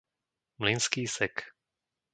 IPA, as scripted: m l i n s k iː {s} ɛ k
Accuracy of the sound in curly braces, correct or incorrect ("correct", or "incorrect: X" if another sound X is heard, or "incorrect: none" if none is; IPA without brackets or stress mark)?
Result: correct